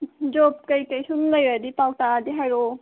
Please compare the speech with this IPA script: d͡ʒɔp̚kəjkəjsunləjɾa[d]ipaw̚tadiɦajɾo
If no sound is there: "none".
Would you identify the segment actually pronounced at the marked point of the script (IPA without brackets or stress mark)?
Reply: d